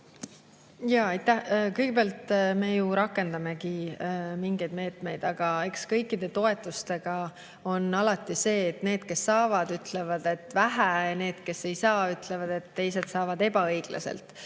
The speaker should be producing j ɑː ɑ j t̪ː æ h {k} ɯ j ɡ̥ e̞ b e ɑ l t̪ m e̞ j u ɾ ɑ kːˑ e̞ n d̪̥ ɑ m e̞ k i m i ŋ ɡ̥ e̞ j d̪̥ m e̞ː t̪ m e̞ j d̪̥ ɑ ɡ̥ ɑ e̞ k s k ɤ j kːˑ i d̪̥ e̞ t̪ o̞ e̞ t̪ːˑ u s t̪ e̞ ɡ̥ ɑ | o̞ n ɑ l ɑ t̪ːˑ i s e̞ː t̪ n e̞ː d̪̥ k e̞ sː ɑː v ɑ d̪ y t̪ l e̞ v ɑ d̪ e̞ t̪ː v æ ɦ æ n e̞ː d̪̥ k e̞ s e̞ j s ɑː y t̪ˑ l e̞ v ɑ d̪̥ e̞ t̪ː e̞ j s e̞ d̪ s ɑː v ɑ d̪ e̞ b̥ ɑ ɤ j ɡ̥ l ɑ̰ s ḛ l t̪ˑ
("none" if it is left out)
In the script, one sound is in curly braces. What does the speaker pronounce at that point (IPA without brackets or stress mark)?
k